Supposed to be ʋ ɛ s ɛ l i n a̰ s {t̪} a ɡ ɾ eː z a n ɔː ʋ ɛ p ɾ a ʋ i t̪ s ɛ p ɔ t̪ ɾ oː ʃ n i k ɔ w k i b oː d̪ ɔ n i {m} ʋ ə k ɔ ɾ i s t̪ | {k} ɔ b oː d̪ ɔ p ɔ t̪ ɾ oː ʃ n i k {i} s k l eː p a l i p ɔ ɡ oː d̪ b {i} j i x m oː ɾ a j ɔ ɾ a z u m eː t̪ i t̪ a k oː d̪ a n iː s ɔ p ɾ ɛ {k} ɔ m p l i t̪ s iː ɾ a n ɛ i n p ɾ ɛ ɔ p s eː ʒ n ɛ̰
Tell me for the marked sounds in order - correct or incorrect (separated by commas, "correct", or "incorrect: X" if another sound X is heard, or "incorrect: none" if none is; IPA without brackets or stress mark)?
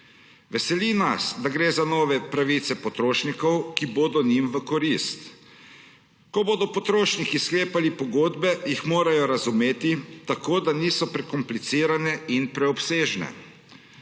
incorrect: d̪, correct, correct, correct, incorrect: ɛ, correct